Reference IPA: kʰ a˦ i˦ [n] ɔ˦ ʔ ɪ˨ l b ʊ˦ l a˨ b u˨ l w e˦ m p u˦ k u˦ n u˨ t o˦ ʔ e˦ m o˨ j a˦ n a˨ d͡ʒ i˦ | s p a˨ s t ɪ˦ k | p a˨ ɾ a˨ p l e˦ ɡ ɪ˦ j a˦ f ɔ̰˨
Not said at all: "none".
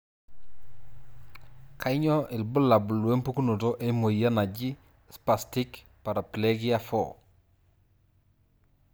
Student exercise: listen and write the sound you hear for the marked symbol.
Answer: ɲ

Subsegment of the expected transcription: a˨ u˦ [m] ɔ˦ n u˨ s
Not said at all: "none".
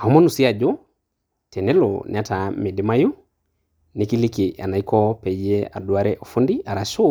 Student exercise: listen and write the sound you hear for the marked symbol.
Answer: m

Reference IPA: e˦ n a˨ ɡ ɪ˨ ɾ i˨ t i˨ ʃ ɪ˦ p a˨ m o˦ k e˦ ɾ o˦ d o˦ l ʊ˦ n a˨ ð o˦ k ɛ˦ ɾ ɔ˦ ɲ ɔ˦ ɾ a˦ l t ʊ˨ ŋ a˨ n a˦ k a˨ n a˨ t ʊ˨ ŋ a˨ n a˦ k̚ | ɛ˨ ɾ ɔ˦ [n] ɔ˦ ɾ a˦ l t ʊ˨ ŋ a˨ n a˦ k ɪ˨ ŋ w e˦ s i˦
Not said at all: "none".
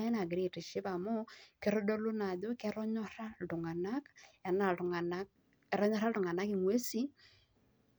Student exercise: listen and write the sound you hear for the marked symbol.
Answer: ɲ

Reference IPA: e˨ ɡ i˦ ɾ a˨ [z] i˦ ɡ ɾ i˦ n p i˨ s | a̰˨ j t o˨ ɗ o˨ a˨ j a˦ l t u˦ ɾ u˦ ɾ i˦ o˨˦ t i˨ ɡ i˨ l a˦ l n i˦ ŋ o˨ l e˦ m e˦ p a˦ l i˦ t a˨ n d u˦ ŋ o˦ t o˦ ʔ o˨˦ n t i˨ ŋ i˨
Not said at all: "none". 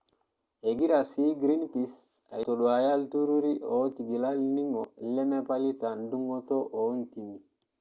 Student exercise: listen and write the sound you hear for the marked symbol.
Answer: s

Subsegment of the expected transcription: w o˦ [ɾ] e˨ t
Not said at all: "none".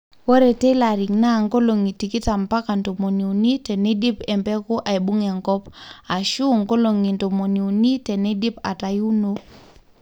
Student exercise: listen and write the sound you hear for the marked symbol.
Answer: ɾ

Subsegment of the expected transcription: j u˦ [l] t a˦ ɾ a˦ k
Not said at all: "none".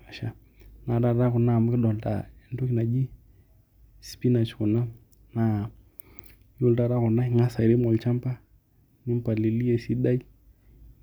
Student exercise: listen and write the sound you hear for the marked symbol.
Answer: l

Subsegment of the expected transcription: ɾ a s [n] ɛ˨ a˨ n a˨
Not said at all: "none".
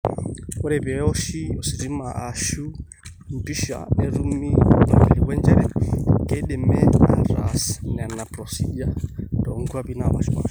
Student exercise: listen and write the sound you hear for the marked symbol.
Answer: n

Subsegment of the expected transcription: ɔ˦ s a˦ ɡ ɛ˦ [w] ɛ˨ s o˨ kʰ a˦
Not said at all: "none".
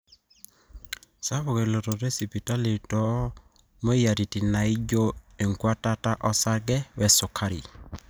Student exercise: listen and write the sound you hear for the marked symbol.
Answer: w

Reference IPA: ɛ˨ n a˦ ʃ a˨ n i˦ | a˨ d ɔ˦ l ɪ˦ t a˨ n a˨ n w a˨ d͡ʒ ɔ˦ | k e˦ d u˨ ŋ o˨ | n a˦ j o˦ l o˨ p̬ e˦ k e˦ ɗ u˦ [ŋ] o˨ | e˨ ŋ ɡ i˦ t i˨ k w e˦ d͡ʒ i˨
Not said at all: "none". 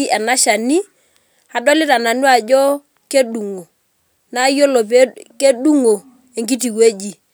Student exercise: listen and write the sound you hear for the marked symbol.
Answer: ŋ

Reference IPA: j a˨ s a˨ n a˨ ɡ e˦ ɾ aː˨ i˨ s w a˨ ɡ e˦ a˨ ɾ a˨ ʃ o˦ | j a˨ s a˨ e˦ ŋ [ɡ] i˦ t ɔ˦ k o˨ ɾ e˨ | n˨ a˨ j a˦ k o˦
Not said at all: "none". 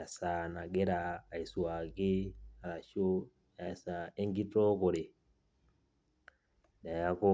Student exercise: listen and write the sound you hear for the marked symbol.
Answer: ɡ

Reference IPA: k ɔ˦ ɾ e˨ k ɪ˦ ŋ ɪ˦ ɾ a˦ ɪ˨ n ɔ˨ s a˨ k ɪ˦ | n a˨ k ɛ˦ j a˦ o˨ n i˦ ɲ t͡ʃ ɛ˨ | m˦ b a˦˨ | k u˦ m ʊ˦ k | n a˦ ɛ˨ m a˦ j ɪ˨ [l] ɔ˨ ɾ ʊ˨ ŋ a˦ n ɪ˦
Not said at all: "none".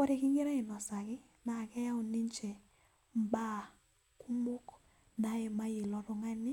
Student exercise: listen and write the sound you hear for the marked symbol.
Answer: l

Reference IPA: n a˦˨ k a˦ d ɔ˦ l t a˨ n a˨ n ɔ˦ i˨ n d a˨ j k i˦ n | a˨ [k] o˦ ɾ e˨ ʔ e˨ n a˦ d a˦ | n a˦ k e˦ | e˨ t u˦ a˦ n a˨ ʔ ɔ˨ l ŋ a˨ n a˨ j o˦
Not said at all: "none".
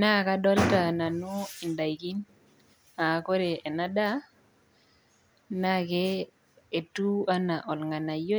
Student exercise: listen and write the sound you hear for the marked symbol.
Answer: k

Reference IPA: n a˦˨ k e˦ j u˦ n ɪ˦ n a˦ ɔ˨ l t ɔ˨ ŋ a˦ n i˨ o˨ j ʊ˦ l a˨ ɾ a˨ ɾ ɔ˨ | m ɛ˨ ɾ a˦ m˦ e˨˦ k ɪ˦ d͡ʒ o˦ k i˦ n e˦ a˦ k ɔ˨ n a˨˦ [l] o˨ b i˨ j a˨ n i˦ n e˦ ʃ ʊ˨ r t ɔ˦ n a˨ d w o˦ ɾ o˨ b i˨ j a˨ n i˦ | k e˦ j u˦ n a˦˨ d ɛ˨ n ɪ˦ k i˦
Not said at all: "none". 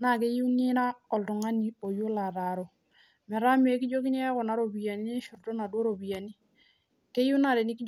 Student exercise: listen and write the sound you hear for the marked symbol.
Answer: ɾ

